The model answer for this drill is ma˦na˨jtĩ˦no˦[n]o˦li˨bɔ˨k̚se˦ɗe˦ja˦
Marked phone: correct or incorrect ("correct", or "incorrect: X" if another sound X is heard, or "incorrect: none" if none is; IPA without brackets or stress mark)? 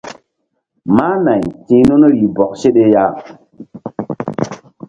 correct